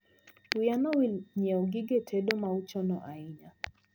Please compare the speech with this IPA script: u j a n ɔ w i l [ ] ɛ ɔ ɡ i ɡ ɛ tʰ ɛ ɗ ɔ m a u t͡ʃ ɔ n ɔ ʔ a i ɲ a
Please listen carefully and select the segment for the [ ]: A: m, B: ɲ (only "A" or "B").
B